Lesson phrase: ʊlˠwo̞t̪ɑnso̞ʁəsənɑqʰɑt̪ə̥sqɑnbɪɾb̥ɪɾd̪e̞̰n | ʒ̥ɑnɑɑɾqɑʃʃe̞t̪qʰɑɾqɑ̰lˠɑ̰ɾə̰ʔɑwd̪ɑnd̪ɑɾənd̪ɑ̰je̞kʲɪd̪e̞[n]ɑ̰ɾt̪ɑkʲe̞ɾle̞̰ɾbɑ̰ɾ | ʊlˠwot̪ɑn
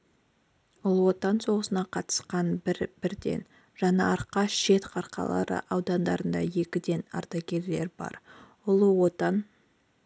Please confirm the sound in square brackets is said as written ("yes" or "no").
yes